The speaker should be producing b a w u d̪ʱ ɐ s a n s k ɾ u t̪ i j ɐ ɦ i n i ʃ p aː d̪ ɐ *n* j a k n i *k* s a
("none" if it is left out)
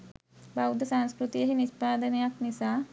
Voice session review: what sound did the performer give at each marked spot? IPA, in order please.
n, none

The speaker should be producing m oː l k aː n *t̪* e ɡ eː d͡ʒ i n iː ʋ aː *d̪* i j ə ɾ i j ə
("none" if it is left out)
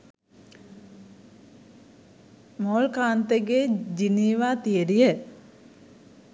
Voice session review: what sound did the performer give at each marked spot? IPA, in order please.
t̪, t̪

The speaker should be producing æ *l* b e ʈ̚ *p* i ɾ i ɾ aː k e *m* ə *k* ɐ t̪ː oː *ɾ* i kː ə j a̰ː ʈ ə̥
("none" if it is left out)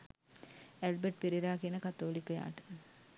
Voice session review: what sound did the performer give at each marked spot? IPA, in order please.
l, p, n, k, l

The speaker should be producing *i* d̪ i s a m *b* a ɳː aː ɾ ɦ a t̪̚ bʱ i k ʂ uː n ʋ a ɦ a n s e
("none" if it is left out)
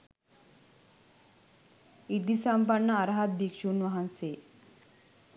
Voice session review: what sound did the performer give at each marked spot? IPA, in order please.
i, p

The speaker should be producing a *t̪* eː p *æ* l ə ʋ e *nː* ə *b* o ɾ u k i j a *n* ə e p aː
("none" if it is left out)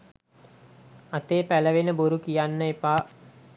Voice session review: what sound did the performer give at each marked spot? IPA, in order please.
t̪, æ, n, b, nː

